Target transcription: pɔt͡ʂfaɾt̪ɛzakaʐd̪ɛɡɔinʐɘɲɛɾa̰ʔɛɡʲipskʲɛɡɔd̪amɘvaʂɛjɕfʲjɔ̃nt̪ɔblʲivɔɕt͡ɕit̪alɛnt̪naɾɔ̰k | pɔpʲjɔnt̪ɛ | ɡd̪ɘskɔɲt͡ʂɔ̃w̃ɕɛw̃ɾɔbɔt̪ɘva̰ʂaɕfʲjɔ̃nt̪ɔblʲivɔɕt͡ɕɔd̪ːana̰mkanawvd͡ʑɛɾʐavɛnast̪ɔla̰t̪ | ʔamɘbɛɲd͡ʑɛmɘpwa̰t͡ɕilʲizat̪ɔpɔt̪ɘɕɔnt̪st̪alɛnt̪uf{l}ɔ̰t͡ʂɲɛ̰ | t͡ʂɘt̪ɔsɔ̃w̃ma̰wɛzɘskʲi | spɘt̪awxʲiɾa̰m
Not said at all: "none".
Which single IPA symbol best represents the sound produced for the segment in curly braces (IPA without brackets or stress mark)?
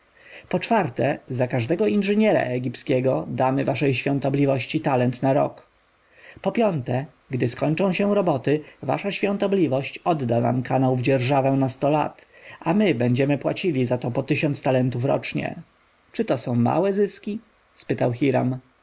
ɾ